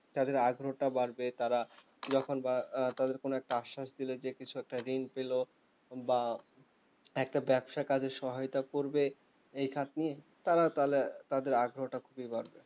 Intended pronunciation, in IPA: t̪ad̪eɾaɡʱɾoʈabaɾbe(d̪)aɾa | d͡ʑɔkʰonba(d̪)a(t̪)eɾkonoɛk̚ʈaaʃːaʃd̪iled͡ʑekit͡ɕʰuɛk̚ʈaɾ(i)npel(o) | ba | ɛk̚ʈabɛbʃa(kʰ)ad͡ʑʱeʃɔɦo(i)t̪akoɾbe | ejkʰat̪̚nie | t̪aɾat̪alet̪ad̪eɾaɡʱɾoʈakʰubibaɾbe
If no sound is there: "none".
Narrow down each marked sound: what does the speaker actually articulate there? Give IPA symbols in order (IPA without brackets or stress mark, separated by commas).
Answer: t̪, t̪, d̪, i, o, k, j